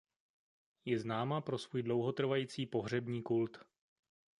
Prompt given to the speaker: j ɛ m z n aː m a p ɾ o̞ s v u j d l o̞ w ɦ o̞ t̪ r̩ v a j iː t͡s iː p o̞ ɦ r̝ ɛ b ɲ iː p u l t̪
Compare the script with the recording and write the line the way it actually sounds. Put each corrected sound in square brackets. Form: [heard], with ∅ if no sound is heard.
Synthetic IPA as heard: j ɛ [∅] z n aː m a p ɾ o̞ s v [uː] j d l o̞ w ɦ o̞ t̪ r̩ v a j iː t͡s iː p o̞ ɦ r̝ ɛ b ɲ iː [k] u l t̪